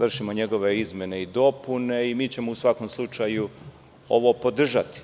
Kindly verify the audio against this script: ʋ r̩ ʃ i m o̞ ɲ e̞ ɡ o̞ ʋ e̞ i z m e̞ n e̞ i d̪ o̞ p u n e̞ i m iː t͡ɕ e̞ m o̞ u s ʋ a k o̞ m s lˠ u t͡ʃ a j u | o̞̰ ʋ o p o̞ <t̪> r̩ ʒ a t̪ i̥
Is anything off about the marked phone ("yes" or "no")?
yes